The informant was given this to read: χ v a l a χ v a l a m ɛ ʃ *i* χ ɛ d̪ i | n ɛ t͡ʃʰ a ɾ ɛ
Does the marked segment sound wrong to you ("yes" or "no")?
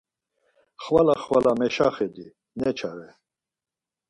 yes